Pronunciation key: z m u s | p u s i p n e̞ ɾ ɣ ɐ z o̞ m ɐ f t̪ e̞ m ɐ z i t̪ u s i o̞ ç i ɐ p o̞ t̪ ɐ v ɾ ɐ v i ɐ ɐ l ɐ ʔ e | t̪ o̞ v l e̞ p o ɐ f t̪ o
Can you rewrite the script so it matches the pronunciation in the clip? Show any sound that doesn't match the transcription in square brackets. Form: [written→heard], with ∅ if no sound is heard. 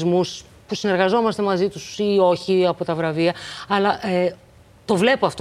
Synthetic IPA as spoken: z m u s | p u s i [p→∅] n e̞ ɾ ɣ ɐ z o̞ m ɐ [f→s] t̪ e̞ m ɐ z i t̪ u s i o̞ ç i ɐ p o̞ t̪ ɐ v ɾ ɐ v i ɐ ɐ l ɐ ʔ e | t̪ o̞ v l e̞ p o ɐ f t̪ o